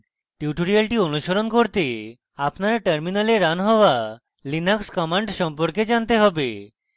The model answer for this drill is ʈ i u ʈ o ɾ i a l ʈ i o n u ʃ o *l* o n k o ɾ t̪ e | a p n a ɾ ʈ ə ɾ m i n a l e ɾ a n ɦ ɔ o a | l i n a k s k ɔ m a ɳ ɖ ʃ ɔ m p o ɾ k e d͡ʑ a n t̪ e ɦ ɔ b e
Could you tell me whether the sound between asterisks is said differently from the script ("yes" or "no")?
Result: yes